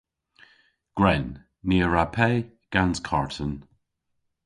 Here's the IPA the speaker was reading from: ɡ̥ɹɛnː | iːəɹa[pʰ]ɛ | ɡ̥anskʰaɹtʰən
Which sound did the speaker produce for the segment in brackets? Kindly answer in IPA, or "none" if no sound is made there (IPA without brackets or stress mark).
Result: pʰ